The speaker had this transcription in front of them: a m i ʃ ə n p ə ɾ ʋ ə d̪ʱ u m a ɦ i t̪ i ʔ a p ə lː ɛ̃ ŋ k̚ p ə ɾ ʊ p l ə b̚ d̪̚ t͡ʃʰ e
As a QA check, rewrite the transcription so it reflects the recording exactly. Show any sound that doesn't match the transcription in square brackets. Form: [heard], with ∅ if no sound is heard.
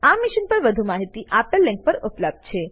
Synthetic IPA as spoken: a m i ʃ ə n p ə ɾ ʋ ə d̪ʱ u m a ɦ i t̪ i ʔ a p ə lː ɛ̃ ŋ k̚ p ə ɾ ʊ p l ə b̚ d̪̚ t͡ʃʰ e